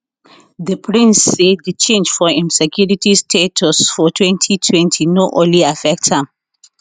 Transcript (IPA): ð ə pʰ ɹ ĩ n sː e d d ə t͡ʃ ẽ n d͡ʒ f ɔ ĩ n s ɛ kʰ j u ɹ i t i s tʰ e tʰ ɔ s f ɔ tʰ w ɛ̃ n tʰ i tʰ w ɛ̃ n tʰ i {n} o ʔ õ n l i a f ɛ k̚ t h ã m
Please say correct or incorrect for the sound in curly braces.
correct